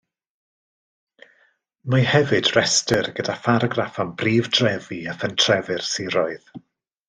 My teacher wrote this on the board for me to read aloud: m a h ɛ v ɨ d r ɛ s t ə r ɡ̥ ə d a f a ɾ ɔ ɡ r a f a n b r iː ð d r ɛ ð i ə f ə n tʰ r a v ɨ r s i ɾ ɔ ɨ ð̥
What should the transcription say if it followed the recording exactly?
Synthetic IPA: m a h ɛ v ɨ d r ɛ s t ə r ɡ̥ ə d a f a ɾ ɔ ɡ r a f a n b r iː v d r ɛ v i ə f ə n tʰ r ɛ v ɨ r s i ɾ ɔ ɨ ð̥